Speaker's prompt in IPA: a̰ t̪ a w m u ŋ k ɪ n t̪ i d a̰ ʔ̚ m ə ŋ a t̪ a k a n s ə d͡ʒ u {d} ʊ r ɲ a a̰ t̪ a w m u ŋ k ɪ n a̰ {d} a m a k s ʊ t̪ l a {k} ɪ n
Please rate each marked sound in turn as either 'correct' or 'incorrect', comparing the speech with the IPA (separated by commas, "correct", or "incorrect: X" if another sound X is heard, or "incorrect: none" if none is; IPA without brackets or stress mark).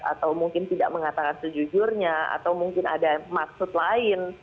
incorrect: d͡ʒ, correct, incorrect: none